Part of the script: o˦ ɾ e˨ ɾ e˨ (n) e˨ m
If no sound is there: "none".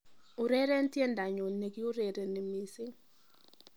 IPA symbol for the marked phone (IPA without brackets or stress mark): n